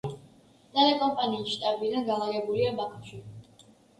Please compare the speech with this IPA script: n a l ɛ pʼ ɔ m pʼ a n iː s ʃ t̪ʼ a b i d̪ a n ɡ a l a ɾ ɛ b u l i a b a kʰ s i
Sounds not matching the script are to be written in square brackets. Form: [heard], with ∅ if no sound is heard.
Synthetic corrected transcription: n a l ɛ [kʼ] ɔ m pʼ a n iː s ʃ t̪ʼ a b i d̪ a n ɡ a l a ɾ ɛ b u l i a b a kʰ [ʃ] i